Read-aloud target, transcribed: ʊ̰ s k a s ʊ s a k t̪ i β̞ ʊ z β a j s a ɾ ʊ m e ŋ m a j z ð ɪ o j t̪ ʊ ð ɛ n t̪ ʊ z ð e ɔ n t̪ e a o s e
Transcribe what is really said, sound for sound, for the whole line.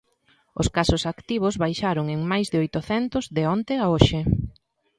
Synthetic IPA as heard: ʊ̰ s k a s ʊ s a k t̪ i β̞ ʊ z β a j ʃ a ɾ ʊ ŋ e ŋ m a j z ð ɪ o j t̪ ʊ θ ɛ n t̪ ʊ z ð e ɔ n t̪ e a o ʃ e